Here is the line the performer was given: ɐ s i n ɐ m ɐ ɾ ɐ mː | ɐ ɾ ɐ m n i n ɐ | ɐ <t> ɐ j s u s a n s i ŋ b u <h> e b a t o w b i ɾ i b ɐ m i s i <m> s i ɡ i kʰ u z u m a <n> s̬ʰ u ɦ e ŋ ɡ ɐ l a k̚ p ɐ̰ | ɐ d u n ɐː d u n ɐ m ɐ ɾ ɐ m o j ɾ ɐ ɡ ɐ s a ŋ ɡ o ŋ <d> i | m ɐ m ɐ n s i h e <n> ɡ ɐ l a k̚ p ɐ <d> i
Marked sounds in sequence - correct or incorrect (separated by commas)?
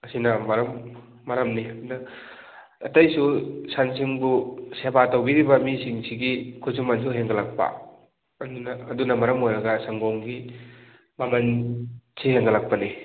correct, incorrect, incorrect, correct, incorrect, incorrect, incorrect